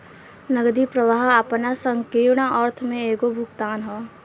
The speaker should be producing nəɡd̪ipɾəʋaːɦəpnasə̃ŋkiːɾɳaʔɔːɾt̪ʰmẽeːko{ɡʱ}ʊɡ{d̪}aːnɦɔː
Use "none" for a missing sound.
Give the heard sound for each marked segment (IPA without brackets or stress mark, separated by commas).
bʱ, t̪